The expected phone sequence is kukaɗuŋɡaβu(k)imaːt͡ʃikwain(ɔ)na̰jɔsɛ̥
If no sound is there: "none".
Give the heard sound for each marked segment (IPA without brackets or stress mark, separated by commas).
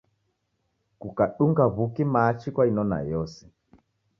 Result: k, ɔ